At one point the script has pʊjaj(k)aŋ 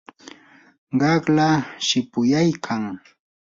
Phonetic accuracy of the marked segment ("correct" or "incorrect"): incorrect